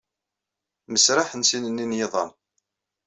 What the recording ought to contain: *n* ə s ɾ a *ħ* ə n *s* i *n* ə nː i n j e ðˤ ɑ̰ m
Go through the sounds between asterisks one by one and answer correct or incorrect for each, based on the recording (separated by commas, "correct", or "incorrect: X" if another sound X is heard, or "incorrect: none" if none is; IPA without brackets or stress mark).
incorrect: m, correct, correct, correct